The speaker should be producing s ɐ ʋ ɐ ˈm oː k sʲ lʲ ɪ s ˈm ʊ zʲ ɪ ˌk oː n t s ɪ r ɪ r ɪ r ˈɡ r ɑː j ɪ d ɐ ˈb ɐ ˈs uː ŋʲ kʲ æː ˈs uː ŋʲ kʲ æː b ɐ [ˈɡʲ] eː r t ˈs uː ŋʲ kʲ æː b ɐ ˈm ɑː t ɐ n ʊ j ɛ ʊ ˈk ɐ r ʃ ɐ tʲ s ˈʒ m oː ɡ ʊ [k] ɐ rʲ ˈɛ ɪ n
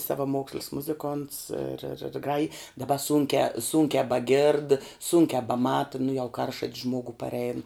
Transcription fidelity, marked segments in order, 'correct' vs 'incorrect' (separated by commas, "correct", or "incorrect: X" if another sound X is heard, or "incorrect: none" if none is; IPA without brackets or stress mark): correct, incorrect: p